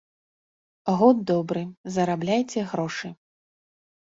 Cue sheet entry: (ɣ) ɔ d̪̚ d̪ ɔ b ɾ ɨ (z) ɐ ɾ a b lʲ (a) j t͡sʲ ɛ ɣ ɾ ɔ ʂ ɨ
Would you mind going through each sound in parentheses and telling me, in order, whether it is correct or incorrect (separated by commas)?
correct, correct, correct